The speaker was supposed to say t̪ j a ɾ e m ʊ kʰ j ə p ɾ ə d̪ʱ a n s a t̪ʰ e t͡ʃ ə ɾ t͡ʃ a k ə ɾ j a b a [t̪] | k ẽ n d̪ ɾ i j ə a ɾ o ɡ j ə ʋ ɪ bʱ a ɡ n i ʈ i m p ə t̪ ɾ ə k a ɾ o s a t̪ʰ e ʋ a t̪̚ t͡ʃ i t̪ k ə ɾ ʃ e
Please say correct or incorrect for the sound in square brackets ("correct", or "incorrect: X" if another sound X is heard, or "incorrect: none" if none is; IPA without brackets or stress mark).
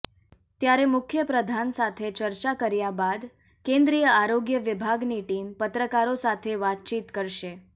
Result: incorrect: d̪